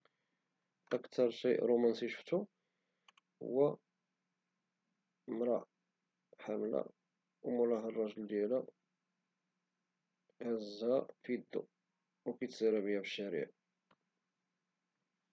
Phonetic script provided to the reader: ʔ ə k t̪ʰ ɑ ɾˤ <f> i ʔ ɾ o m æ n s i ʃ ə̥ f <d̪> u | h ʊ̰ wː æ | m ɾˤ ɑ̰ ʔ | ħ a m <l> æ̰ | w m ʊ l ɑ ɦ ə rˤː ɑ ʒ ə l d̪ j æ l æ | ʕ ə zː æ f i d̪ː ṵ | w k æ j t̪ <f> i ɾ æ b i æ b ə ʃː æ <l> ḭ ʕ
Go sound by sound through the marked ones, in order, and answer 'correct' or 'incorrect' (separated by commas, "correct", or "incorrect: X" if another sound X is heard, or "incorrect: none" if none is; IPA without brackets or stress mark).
incorrect: ʃ, incorrect: t̪, correct, incorrect: s, incorrect: ɾ